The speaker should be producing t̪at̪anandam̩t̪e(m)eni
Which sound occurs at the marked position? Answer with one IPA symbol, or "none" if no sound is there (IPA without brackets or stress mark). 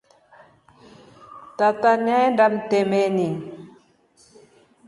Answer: m